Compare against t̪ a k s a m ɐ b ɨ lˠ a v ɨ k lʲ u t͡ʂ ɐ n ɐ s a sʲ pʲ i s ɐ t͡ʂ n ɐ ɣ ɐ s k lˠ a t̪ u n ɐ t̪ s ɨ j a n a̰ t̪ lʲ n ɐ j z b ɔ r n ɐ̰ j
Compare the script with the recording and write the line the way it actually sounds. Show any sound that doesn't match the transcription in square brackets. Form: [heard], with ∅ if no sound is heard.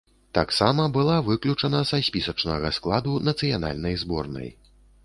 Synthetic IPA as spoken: t̪ a k s a m ɐ b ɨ lˠ a v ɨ k lʲ u t͡ʂ ɐ n ɐ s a sʲ pʲ i s ɐ t͡ʂ n ɐ ɣ ɐ s k lˠ a [d̪] u n ɐ t̪ s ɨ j a n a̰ [∅] lʲ n ɐ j z b ɔ r n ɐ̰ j